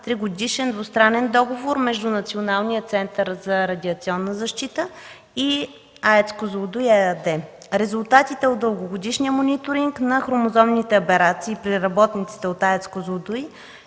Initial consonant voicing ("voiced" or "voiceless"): voiceless